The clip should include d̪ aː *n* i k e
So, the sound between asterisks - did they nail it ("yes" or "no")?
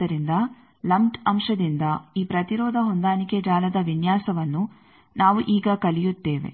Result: yes